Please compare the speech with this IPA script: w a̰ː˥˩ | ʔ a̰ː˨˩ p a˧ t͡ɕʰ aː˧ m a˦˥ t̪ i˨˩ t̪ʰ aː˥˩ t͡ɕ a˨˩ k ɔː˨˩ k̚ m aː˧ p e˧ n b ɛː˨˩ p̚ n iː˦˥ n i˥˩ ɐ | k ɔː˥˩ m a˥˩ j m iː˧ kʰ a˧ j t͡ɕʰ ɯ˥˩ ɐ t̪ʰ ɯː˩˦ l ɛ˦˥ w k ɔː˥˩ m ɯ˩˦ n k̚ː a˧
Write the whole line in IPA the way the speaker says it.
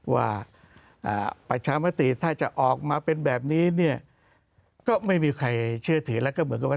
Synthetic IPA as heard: w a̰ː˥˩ | ʔ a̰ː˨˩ p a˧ t͡ɕʰ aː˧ m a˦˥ t̪ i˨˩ t̪ʰ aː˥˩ t͡ɕ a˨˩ ʔ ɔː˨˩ k̚ m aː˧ p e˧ n b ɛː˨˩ p̚ n iː˦˥ n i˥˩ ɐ | k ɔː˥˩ m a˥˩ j m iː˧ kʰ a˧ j t͡ɕʰ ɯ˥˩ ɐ t̪ʰ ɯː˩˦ l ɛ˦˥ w k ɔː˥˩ m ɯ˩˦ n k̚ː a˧